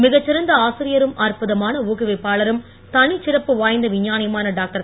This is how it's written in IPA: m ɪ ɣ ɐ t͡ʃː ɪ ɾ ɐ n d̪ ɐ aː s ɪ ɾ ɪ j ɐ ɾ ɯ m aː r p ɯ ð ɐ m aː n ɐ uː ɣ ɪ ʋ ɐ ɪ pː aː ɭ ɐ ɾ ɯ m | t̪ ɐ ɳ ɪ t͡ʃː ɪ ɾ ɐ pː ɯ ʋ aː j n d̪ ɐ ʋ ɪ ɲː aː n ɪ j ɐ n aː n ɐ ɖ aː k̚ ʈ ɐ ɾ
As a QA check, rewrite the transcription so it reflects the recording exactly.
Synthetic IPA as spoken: m ɪ ɣ ɐ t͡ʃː ɪ ɾ ɐ n d̪ ɐ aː s ɪ ɾ ɪ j ɐ ɾ ɯ m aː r p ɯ ð ɐ m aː n ɐ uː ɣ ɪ ʋ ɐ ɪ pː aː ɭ ɐ ɾ ɯ m | t̪ ɐ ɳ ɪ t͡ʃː ɪ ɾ ɐ pː ɯ ʋ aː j n d̪ ɐ ʋ ɪ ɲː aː n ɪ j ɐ m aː n ɐ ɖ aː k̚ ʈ ɐ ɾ